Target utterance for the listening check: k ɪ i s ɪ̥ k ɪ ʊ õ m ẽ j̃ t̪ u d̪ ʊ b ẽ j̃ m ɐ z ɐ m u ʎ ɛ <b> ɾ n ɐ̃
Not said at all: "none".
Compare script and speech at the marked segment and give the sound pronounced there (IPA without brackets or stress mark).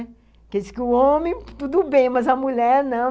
none